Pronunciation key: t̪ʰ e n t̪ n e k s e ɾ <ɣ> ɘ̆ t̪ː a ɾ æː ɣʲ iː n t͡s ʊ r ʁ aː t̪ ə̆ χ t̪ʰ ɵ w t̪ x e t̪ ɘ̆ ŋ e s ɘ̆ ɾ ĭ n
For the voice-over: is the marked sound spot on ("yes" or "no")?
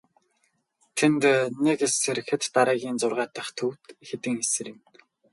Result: no